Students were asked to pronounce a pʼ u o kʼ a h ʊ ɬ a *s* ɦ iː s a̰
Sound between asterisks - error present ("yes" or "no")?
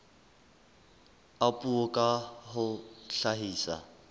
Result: yes